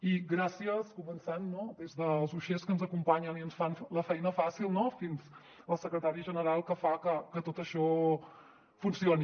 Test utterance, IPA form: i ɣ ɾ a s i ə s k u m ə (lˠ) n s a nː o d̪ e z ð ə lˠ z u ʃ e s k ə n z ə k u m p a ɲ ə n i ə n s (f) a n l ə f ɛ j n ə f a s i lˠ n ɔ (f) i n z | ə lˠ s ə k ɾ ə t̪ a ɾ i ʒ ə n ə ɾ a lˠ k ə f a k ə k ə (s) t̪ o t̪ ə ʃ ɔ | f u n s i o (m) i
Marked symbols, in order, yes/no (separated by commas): no, yes, yes, no, no